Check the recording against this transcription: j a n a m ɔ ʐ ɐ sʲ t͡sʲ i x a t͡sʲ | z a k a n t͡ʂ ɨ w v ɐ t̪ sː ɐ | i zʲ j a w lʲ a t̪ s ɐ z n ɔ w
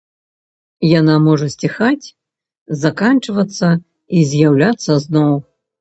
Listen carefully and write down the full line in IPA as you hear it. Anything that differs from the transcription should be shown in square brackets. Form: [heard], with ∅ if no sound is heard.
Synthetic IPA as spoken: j a n a m ɔ ʐ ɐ sʲ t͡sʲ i x a t͡sʲ | z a k a n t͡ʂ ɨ [∅] v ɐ t̪ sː ɐ | i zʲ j a w lʲ a t̪ [sː] ɐ z n ɔ w